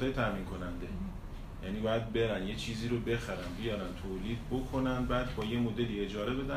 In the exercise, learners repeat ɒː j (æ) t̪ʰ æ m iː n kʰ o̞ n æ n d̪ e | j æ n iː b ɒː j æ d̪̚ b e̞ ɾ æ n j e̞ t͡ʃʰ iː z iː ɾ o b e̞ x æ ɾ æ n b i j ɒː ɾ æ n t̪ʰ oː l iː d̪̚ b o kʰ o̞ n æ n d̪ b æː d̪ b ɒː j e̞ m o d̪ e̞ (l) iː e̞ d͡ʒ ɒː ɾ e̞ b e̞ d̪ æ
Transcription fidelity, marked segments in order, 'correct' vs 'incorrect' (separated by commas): incorrect, correct